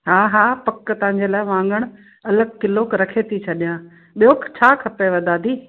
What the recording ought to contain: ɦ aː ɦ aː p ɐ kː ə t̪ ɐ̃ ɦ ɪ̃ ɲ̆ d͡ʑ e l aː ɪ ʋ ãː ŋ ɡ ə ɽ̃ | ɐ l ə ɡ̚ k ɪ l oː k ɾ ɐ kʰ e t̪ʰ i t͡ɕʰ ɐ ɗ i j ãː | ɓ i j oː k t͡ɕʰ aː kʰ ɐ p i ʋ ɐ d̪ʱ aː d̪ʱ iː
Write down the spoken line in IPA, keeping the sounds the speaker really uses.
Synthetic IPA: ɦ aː ɦ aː p ɐ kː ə t̪ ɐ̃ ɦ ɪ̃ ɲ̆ d͡ʑ e l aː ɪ ʋ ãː ŋ ɡ ə ɽ̃ | ɐ l ə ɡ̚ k ɪ l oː k ɾ ɐ kʰ e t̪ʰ i t͡ɕʰ ɐ ɗ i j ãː | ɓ i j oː k t͡ɕʰ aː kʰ ɐ p e ʋ ɐ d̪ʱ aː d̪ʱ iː